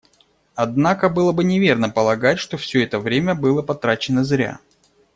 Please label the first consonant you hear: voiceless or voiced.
voiced